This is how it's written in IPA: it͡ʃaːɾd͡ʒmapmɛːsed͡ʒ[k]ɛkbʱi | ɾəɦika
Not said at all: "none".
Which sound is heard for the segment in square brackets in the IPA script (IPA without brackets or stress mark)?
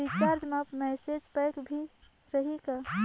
p